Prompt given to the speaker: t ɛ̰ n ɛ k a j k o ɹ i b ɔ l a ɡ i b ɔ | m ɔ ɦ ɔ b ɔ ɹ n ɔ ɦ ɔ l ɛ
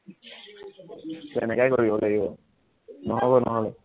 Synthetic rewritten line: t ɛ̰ n ɛ k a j k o ɹ i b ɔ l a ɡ i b ɔ | n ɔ ɦ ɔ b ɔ n ɔ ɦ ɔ l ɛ